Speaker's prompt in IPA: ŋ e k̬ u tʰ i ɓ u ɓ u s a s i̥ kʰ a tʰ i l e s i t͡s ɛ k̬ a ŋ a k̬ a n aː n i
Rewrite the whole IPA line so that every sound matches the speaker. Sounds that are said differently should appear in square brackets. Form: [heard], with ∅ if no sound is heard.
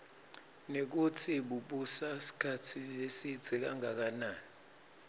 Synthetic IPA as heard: [n] e k̬ u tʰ i ɓ u ɓ u s a s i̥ kʰ a tʰ i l e s i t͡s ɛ k̬ a ŋ a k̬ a n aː n i